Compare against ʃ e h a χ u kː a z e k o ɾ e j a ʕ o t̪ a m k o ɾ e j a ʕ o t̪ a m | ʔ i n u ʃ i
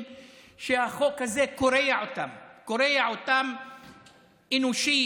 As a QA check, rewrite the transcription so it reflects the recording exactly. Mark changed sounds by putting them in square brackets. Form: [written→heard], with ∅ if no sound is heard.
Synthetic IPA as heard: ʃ e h a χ [u→o] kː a z e k o ɾ e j a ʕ o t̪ a m k o ɾ e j a ʕ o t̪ a m | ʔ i n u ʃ i